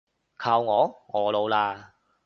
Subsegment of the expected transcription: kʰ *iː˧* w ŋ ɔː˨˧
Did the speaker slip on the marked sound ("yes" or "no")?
yes